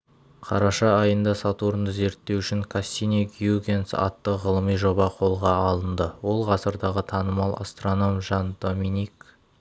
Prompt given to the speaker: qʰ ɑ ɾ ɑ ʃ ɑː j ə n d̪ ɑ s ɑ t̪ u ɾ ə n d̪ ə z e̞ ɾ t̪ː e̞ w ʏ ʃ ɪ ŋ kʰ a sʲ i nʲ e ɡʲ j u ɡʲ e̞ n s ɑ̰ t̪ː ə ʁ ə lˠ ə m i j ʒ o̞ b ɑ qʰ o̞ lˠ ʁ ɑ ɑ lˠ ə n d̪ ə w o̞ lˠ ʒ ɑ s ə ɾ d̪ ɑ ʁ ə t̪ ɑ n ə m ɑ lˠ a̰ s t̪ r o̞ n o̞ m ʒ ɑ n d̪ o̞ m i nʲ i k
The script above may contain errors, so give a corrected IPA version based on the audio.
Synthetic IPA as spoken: qʰ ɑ ɾ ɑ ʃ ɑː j ə n d̪ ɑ s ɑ t̪ u ɾ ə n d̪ ə z e̞ ɾ t̪ː e̞ w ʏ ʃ ɪ ŋ kʰ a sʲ i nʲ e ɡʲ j u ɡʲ e̞ n s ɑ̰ t̪ː ə ʁ ə lˠ ə m i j ʒ o̞ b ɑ qʰ o̞ lˠ ʁ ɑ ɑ lˠ ə n d̪ ə w o̞ lˠ ʁ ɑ s ə ɾ d̪ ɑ ʁ ə t̪ʰ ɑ n ə m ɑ lˠ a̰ s t̪ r o̞ n o̞ m ʒ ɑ n d̪ o̞ m i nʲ i k